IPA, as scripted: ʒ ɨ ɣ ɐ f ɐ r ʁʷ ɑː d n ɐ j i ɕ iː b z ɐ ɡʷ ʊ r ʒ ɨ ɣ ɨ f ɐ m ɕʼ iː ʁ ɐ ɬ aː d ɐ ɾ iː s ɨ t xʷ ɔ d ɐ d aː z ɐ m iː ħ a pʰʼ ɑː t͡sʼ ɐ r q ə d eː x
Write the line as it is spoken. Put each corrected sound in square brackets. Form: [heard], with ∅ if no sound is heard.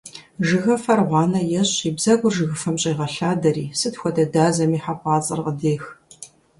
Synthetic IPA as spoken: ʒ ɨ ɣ ɐ f ɐ r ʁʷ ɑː [∅] n ɐ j [ɛ] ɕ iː b z ɐ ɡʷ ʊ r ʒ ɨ ɣ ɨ f ɐ m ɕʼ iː ʁ ɐ ɬ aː d ɐ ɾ iː s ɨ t xʷ ɔ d ɐ d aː z ɐ m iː ħ a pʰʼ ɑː t͡sʼ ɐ r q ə d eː x